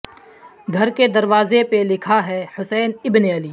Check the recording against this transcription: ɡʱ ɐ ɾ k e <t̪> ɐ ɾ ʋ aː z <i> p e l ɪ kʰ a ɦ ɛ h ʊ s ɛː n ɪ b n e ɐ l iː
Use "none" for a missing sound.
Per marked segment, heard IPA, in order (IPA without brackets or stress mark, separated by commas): d̪, e